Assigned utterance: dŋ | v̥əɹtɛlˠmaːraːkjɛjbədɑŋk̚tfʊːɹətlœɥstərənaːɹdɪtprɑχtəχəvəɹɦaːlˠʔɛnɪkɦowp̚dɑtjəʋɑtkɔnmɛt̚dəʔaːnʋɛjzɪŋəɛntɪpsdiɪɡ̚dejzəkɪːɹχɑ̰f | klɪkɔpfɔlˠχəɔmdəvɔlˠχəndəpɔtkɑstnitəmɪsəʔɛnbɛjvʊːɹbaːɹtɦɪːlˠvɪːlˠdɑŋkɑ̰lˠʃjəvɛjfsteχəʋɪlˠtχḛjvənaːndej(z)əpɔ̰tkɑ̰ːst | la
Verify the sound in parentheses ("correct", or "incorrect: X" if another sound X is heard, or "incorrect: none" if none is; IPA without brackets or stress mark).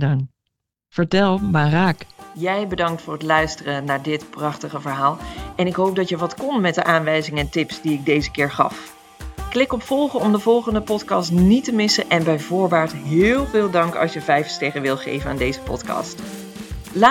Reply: correct